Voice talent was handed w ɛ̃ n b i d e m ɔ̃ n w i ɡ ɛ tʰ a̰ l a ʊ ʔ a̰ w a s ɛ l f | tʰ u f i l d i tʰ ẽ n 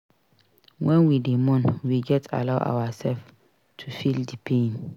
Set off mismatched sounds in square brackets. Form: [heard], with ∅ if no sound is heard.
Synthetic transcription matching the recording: w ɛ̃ n [w] i d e m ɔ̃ n w i ɡ ɛ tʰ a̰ l a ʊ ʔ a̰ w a s ɛ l f | tʰ u f i l d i [pʰ] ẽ n

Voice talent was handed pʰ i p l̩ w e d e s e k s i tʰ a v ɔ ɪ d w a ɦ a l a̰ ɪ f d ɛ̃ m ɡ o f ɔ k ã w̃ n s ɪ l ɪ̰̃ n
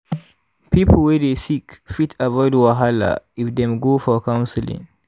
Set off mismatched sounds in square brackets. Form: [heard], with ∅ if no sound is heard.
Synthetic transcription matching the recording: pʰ i p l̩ w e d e s [i] k [f] i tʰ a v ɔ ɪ d w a ɦ a l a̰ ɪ f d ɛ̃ m ɡ o f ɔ k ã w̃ n s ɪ l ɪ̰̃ [ŋ]

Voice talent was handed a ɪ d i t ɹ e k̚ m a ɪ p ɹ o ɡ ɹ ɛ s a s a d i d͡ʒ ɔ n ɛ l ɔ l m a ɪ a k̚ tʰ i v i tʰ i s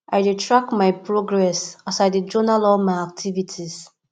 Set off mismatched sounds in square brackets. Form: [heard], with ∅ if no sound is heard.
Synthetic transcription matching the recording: a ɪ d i t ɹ [a] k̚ m a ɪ p ɹ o ɡ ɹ ɛ s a s a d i d͡ʒ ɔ n [a] l ɔ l m a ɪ a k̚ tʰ i v i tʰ i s

